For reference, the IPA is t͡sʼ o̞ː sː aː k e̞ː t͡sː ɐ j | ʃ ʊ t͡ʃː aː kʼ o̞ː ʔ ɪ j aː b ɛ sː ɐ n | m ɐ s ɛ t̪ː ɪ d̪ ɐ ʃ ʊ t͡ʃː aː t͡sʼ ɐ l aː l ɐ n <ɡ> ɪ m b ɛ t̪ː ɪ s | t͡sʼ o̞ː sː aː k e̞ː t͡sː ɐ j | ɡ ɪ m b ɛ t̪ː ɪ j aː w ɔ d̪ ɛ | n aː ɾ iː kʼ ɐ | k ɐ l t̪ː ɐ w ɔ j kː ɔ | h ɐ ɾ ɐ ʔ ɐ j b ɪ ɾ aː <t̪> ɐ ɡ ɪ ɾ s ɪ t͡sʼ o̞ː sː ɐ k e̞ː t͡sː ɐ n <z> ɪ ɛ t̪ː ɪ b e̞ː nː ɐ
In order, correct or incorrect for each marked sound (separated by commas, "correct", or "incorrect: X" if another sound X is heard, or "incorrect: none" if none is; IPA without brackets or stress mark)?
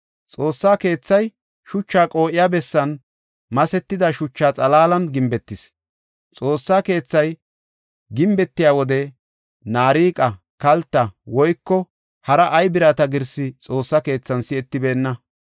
correct, correct, incorrect: s